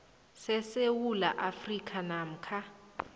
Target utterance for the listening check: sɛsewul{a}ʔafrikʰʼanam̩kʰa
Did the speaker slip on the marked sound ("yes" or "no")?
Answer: no